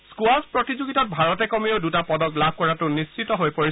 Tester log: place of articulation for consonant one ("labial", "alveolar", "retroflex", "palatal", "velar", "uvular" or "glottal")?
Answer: alveolar